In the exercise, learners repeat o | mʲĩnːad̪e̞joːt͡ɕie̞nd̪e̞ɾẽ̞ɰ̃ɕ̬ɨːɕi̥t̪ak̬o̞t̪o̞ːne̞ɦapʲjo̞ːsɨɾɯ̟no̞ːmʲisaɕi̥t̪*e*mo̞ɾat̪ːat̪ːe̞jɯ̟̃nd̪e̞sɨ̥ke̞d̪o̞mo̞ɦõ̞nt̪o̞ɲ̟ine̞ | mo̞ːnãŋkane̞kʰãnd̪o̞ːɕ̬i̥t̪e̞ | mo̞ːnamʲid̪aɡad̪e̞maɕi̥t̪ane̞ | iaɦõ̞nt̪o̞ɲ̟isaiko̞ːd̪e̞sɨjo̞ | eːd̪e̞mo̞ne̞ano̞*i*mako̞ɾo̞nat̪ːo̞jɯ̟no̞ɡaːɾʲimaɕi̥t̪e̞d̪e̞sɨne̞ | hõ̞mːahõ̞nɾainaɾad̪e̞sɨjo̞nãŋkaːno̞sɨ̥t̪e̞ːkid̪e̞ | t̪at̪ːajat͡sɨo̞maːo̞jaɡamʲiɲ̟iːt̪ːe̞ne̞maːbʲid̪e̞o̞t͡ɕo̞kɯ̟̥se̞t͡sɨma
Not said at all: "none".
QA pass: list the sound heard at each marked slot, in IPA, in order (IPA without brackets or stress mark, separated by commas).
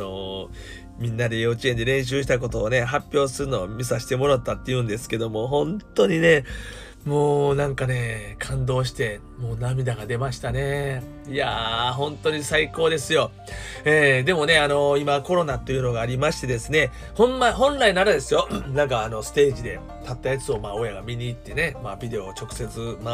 e, i